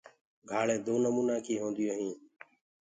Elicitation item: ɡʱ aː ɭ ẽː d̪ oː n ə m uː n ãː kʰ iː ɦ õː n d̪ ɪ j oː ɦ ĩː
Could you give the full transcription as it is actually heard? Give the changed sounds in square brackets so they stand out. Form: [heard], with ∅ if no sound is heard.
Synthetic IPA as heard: ɡʱ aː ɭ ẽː d̪ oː n ə m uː n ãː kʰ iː ɦ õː n d̪ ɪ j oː ɦ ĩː